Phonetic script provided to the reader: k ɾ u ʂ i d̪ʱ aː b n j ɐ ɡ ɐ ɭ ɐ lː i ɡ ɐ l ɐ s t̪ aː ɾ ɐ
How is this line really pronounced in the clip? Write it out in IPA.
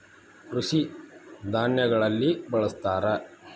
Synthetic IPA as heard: k ɾ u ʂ i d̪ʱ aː n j ɐ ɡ ɐ ɭ ɐ lː i b ɐ ɭ ɐ s t̪ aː ɾ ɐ